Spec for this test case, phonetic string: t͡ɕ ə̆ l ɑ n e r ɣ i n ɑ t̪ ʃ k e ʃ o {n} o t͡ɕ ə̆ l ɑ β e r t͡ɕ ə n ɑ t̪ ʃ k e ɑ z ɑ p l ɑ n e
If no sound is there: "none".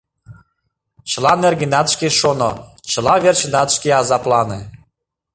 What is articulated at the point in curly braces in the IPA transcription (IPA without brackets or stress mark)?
n